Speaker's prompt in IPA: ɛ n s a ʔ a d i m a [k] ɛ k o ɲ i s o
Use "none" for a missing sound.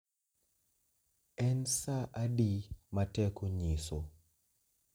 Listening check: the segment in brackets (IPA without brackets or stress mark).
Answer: t